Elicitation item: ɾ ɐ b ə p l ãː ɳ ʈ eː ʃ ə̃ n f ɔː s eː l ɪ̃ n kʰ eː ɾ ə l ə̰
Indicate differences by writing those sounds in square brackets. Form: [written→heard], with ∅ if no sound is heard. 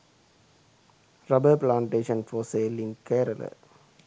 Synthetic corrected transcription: ɾ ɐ b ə p l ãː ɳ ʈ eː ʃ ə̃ n f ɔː s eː l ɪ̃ n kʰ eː ɾ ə l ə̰